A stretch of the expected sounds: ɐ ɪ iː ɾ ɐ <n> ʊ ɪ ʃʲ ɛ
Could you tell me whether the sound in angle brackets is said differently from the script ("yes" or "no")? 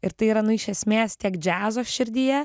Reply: no